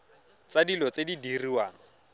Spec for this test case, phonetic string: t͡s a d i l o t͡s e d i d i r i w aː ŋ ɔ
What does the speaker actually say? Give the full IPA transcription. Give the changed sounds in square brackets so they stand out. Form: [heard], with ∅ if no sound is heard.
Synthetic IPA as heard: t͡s a d i l [ɔ] t͡s e d i d i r i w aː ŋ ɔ